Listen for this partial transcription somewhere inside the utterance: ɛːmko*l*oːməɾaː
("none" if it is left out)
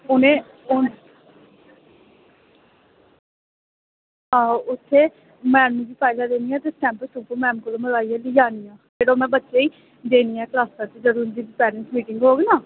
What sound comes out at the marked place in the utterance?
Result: l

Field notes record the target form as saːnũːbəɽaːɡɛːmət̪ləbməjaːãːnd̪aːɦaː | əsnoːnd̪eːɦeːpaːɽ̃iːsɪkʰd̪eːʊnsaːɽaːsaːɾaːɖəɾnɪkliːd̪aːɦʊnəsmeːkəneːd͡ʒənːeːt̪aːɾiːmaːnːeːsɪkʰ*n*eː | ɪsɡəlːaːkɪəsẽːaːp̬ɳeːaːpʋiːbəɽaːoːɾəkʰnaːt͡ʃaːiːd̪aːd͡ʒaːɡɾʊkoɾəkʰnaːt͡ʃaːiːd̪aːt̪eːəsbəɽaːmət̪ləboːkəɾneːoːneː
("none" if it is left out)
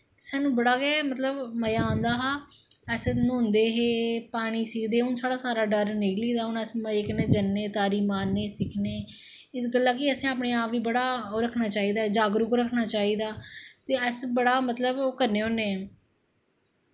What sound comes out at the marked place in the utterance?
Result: n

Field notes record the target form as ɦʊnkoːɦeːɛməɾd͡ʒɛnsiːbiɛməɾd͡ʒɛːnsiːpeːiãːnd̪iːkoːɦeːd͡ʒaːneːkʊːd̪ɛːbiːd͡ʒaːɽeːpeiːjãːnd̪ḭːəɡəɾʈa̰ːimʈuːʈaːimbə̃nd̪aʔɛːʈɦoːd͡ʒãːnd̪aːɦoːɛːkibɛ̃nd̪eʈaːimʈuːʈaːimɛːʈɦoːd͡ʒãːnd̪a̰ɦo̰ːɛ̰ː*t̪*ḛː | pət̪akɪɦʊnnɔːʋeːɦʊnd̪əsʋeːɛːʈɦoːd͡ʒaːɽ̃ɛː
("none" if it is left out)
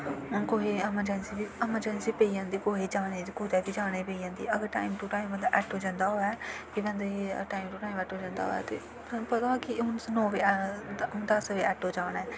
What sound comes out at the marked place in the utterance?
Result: t̪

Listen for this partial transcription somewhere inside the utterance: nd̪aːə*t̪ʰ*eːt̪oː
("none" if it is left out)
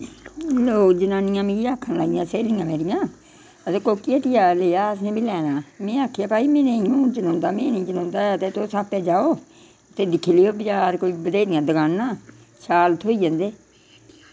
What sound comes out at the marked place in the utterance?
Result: t̪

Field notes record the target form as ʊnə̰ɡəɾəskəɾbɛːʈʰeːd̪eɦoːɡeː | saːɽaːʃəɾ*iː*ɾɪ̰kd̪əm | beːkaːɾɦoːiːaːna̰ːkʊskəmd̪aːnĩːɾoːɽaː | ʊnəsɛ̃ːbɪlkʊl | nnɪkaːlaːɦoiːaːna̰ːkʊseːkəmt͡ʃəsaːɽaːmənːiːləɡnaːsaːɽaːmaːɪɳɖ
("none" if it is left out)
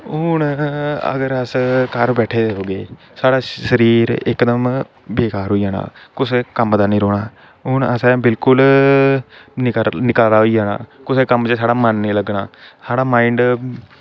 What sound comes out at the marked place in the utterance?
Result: iː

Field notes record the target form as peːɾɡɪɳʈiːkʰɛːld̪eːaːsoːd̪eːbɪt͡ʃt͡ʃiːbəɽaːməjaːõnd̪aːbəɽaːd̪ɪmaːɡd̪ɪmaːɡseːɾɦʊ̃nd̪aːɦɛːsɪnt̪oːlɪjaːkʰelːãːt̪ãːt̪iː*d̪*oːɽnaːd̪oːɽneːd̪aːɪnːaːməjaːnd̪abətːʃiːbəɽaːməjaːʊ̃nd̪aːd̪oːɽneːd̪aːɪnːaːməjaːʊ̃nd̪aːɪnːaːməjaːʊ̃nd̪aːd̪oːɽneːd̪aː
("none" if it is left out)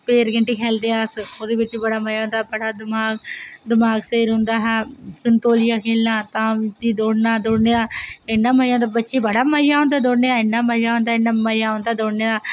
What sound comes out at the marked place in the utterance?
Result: d̪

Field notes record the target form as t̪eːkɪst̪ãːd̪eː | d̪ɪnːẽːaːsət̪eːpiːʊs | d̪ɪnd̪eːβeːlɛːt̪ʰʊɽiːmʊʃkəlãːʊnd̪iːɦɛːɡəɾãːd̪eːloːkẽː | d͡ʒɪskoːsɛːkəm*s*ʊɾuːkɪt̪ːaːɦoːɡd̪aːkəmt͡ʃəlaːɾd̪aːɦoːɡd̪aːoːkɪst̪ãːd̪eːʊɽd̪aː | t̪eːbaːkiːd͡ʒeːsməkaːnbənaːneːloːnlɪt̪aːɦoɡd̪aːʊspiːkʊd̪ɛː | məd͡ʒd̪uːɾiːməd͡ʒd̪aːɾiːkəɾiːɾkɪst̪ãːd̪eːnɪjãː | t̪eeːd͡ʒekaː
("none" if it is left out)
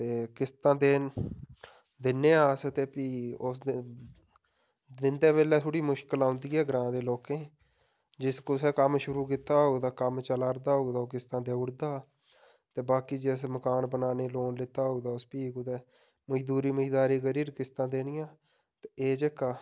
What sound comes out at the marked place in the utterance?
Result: ʃ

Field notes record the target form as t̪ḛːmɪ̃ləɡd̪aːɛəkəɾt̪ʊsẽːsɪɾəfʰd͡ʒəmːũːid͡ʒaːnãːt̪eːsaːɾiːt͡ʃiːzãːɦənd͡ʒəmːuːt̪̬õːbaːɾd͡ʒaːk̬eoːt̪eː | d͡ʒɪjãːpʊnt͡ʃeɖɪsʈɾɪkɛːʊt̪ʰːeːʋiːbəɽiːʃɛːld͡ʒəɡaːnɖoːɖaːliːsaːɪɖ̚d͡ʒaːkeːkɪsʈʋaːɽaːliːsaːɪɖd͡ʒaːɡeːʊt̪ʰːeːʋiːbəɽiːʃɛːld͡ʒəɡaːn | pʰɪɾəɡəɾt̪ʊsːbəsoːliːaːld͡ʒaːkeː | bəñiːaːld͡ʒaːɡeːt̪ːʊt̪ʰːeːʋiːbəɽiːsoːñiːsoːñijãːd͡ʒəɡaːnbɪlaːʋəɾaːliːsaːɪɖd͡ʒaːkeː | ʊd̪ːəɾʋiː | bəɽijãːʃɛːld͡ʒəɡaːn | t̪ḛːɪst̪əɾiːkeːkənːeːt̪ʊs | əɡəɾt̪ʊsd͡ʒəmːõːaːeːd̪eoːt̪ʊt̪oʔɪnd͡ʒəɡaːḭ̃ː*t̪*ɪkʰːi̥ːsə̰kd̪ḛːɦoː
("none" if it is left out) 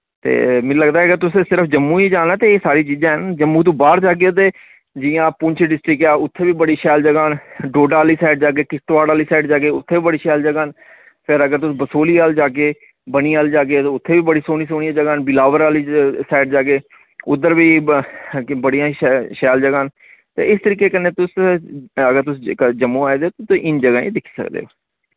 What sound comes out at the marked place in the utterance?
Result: d̪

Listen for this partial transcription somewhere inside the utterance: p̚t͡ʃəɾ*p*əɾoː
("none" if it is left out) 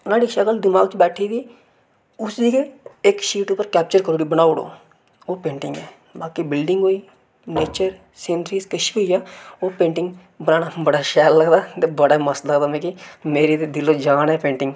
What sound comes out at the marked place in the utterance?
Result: k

